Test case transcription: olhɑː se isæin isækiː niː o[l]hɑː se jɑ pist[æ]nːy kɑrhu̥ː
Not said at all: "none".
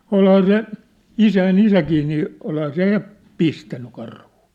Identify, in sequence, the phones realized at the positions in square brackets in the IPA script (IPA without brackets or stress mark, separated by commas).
l, æ